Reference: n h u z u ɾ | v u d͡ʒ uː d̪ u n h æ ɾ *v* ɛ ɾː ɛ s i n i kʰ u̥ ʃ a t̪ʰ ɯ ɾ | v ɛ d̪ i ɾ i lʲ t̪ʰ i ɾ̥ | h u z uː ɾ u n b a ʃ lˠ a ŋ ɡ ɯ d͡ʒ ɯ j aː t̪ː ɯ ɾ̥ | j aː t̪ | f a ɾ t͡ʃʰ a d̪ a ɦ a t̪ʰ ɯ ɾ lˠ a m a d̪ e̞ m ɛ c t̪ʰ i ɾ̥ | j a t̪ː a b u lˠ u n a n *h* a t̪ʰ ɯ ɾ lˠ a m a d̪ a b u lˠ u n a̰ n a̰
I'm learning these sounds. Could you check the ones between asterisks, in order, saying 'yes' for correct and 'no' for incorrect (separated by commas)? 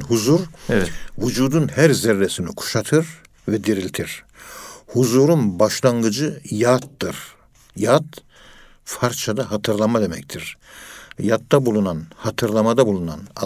no, yes